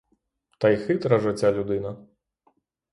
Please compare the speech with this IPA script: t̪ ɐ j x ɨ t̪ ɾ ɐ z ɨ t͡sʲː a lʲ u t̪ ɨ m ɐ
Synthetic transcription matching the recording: t̪ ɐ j x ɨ t̪ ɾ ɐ ʐ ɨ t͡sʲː a lʲ u d̪ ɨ n ɐ